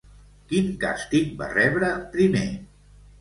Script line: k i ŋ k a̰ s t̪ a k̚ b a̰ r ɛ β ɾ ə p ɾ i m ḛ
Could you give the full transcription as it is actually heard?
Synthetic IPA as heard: k i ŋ k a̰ s t̪ i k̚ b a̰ r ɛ β ɾ ə p ɾ i m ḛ